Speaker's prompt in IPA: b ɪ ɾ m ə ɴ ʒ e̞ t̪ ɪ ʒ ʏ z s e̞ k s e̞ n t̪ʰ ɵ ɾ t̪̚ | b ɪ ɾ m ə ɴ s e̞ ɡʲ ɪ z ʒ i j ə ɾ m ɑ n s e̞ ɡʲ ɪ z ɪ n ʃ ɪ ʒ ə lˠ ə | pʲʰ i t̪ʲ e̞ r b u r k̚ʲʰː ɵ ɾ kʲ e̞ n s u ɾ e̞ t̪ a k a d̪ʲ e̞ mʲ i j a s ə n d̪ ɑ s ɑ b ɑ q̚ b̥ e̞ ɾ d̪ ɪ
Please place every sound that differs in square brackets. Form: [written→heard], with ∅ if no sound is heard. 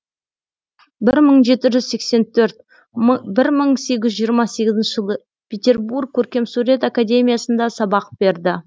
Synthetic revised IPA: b ɪ ɾ m ə ɴ ʒ e̞ t̪ ɪ ʒ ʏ z s e̞ k s e̞ n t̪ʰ ɵ ɾ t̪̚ | b ɪ ɾ m ə ɴ s e̞ ɡʲ ɪ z ʒ i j ə ɾ m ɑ [n→∅] s e̞ ɡʲ ɪ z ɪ n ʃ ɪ ʒ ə lˠ ə | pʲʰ [i→e] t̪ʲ e̞ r b u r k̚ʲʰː ɵ ɾ kʲ e̞ [n→m] s u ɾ e̞ t̪ a k a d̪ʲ e̞ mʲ i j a s ə n d̪ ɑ s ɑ b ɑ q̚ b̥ e̞ ɾ d̪ ɪ